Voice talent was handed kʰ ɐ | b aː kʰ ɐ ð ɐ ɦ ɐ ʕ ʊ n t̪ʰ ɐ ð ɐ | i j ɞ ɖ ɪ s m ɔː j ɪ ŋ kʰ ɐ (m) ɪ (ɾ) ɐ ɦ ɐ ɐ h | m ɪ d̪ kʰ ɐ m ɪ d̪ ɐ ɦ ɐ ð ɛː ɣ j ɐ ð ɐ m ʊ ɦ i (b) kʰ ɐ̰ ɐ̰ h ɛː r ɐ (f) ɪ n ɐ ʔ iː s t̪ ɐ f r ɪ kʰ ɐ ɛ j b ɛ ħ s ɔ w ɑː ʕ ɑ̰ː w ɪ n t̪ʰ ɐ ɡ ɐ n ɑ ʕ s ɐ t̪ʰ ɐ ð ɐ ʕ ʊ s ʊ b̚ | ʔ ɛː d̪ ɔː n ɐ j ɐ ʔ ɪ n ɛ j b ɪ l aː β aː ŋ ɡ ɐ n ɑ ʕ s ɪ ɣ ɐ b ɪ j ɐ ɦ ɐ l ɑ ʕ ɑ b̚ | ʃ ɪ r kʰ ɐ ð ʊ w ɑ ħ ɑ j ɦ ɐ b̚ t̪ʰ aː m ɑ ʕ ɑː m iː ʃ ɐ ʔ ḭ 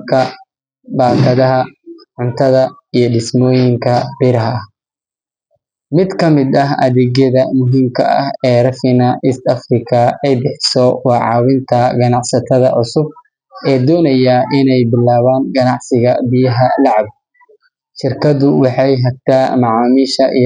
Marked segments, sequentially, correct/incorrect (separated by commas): incorrect, correct, incorrect, correct